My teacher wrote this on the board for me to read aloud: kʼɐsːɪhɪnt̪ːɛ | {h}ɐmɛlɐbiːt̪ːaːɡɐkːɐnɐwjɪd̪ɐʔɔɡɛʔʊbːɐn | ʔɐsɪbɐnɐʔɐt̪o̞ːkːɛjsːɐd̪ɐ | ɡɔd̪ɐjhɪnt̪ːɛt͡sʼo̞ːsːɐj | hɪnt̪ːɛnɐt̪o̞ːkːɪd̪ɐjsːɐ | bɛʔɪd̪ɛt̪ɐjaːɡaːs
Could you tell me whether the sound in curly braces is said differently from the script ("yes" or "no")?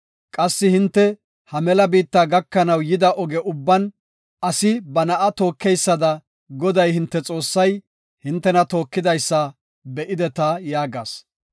no